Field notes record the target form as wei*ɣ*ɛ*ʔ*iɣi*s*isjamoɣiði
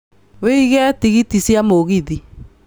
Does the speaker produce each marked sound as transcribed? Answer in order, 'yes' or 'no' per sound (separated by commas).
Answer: yes, no, no